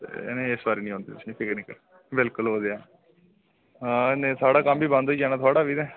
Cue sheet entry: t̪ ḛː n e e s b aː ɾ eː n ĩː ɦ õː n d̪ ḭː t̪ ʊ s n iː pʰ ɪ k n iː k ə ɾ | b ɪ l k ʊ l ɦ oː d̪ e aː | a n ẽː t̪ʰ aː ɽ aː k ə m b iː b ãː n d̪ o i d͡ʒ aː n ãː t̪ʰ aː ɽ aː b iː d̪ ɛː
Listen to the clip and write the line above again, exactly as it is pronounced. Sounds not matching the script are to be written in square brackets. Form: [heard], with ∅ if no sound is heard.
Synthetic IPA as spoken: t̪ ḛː n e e s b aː ɾ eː n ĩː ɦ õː n d̪ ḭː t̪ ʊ s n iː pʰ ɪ k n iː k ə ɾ | b ɪ l k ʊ l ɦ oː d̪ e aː | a n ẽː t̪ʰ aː ɽ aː k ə m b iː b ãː n d̪ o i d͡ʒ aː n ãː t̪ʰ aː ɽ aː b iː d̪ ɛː